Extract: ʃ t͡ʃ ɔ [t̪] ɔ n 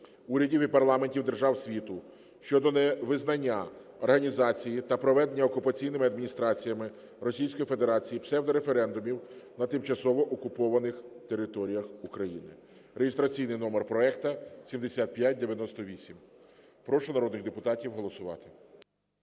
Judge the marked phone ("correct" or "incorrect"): incorrect